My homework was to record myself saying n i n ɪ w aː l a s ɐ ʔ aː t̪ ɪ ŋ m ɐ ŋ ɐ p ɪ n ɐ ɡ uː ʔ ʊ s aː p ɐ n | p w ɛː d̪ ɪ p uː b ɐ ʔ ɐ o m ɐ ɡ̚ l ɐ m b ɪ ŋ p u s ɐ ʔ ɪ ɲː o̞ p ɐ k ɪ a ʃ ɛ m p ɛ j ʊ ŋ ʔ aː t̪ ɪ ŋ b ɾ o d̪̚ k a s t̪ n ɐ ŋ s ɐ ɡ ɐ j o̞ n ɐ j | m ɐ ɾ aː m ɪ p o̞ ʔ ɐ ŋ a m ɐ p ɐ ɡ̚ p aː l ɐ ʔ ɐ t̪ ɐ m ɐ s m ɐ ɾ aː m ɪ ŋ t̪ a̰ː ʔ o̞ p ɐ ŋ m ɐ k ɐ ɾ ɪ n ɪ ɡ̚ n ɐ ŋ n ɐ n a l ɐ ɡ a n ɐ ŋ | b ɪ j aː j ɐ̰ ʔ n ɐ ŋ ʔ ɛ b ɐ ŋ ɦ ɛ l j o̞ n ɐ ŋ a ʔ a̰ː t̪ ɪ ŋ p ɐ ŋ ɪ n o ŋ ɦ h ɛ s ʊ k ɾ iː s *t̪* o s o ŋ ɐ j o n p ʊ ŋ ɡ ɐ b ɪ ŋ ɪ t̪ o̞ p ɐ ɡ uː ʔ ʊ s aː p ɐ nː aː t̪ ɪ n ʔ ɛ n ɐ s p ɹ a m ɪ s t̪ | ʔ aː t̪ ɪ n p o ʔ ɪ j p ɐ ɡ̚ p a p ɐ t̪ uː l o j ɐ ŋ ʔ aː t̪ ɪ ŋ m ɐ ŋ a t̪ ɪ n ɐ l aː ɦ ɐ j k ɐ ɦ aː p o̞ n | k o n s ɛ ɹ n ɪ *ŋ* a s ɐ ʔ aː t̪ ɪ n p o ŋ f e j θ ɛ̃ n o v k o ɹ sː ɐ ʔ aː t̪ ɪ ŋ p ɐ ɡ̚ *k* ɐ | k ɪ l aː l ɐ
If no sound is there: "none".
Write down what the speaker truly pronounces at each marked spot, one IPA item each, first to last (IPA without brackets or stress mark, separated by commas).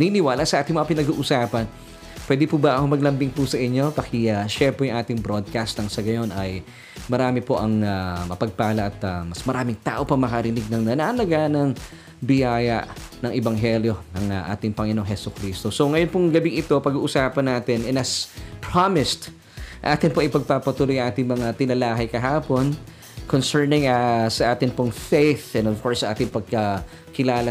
t̪, ŋ, k